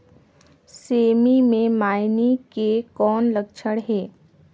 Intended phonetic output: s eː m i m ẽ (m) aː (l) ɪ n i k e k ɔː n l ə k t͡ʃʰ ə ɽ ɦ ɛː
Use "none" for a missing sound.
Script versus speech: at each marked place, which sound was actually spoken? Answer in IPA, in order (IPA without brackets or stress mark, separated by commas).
m, none